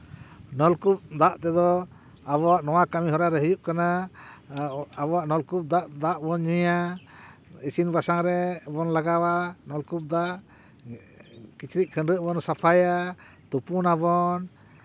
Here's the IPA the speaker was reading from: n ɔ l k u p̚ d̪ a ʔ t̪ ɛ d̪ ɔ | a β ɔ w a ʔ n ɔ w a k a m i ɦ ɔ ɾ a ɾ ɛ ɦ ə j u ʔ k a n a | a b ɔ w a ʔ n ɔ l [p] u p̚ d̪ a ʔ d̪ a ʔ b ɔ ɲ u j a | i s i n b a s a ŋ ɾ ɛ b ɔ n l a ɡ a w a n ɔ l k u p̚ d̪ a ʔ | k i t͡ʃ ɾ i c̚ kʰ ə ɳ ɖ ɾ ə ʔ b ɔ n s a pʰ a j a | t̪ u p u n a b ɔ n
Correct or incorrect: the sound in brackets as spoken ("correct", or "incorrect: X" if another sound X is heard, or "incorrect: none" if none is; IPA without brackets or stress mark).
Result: incorrect: k